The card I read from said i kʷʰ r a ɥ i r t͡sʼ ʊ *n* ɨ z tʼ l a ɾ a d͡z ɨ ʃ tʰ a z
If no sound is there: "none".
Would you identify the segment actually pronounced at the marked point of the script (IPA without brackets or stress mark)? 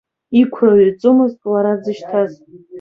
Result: m